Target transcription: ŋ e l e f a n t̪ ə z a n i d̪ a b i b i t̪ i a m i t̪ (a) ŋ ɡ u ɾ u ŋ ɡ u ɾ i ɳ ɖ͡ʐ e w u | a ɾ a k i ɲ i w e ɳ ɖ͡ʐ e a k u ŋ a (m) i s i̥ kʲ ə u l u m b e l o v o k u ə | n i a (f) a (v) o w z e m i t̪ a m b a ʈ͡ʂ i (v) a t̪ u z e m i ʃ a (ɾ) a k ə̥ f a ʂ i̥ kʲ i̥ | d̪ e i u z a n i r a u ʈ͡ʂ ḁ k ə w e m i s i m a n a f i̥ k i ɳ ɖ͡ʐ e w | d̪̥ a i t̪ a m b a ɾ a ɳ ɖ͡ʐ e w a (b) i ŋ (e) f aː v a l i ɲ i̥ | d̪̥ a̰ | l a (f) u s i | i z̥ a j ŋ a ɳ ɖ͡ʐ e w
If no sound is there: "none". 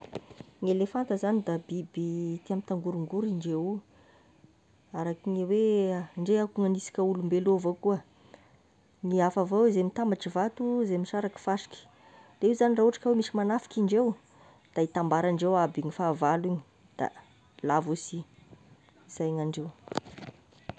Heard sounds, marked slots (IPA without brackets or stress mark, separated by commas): a, n, f, v, v, ɾ, b, i, v